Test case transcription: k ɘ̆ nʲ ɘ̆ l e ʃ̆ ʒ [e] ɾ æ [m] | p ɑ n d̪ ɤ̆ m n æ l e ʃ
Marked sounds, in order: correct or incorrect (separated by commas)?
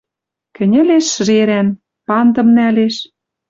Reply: correct, incorrect